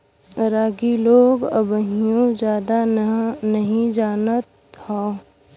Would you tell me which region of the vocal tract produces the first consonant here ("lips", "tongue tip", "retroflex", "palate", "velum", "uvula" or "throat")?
tongue tip